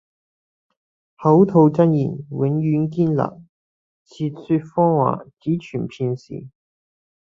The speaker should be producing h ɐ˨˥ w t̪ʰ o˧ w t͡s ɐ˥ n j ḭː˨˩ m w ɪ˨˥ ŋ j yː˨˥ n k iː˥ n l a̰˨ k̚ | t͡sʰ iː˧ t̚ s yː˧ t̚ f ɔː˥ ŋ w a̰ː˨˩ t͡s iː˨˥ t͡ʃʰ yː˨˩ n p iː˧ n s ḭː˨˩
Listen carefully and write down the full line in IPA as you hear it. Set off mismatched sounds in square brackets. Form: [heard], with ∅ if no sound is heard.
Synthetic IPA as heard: h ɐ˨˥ w t̪ʰ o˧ w t͡s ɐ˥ n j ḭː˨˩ [n] w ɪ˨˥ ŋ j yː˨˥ n k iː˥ n l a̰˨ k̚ | t͡sʰ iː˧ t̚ s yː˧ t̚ f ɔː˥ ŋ w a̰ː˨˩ t͡s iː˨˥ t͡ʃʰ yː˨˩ n [pʰ] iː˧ n s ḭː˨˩